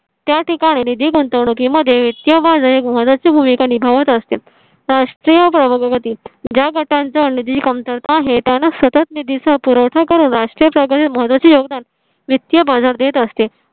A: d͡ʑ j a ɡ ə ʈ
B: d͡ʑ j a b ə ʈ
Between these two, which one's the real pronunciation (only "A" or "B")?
A